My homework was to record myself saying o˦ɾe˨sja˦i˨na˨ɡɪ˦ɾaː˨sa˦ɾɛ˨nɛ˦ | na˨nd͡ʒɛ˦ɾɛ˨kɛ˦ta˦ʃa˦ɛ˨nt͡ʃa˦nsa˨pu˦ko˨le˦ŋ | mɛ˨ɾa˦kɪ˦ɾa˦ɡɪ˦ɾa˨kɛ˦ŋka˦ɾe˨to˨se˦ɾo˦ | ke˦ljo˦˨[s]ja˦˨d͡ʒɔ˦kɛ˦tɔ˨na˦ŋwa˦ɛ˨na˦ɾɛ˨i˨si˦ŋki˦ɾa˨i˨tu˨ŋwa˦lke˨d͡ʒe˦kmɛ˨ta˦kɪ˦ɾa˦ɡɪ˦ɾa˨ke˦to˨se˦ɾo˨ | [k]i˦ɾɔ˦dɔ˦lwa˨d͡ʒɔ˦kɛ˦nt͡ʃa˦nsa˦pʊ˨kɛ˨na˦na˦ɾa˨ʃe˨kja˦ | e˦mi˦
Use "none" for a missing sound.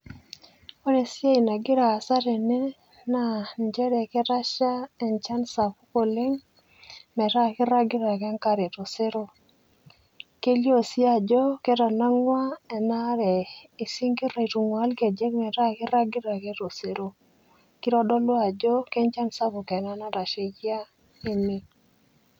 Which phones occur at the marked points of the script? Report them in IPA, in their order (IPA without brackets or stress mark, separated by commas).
s, k